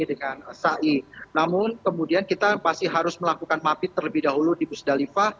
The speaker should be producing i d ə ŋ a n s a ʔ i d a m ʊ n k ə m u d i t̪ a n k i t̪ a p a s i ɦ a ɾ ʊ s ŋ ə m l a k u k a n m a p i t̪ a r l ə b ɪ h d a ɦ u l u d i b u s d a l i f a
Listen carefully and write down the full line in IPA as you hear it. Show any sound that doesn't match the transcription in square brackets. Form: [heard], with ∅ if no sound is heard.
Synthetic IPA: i d ə ŋ a n s a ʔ i [n] a m ʊ n k ə m u d i [∅] a n k i t̪ a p a s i ɦ a ɾ ʊ s [m] ə [∅] l a k u k a n m a p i t̪ [ə] r l ə b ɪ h d a ɦ u l u d i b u s d a l i f a